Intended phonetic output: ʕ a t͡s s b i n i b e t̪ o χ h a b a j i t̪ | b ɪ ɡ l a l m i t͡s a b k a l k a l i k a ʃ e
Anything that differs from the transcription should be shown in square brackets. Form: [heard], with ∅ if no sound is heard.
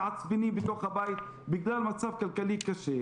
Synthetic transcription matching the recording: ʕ a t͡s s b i n i b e t̪ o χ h a b a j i t̪ | b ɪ ɡ l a l m [a] t͡s a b k a l k a l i k a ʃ e